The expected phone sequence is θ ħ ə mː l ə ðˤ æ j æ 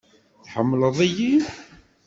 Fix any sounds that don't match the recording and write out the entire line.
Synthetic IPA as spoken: θ ħ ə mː l ə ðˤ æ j i